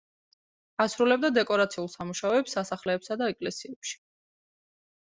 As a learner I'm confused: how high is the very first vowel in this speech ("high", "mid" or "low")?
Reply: low